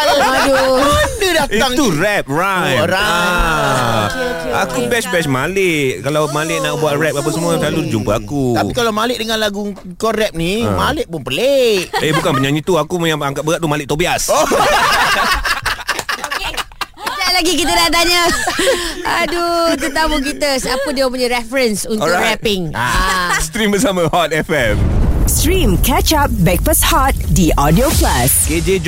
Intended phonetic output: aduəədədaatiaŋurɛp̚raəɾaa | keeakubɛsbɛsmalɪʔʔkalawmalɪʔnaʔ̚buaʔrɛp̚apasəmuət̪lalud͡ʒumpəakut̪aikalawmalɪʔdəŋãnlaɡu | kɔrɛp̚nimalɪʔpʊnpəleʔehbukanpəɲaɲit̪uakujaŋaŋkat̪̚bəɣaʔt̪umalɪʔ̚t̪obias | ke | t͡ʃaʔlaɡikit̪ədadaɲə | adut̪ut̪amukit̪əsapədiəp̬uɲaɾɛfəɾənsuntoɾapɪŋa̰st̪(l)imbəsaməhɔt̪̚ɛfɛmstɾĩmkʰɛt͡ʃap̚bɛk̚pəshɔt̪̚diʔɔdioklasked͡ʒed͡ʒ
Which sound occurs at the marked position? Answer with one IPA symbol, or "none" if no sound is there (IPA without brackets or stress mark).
ɾ